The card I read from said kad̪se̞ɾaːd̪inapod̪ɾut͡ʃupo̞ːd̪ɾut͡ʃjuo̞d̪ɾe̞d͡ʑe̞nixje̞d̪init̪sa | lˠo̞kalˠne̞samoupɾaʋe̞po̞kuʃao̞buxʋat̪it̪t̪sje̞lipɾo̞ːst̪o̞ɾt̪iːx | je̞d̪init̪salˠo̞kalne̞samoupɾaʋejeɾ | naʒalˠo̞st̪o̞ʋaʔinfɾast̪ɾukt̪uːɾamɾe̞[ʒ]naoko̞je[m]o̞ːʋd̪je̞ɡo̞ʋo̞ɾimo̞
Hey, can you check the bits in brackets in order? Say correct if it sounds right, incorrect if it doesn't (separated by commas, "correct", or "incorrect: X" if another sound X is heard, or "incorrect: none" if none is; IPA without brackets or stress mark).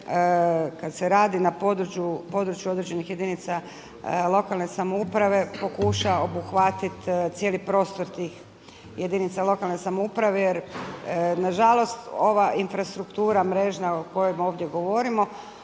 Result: correct, correct